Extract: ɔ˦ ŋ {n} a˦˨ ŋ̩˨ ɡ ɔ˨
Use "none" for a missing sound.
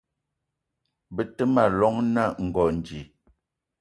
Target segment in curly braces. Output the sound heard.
n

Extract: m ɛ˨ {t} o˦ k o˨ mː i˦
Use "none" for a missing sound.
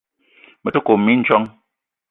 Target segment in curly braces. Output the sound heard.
t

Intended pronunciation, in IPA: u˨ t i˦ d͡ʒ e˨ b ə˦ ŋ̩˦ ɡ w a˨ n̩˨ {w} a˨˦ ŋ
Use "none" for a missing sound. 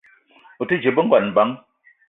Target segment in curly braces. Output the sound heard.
b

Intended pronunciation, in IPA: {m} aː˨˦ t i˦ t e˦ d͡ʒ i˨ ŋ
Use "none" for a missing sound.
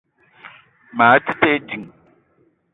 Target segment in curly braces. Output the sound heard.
m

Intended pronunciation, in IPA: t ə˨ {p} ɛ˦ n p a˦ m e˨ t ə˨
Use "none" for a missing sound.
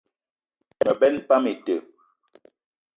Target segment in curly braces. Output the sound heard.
b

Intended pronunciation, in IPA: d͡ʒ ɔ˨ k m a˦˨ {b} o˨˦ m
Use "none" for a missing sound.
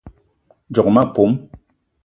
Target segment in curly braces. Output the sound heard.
p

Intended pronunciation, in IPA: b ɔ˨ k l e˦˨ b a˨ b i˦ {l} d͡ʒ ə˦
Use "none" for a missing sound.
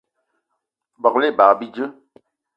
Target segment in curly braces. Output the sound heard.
none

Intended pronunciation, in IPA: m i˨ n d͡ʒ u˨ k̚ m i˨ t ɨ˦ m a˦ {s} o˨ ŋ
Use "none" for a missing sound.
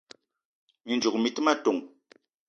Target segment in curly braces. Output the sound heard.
t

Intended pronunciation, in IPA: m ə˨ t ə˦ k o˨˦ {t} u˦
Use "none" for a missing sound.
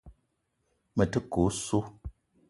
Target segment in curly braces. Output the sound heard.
s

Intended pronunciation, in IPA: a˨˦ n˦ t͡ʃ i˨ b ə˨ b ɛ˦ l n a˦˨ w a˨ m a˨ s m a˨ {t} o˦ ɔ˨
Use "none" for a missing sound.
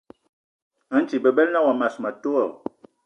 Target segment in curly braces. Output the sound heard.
t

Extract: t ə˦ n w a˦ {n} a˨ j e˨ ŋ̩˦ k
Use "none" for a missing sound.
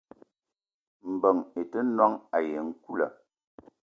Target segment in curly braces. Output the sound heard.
ŋ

